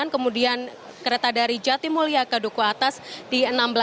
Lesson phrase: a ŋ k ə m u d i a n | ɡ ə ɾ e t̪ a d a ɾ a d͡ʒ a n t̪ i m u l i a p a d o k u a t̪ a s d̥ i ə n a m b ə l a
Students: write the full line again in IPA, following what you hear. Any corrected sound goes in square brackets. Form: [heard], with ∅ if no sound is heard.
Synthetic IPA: a [n] k ə m u d i a n | [k] ə ɾ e t̪ a d a ɾ [i] d͡ʒ a [∅] t̪ i m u l i a [k] a d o k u a t̪ a s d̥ i ə n a m b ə l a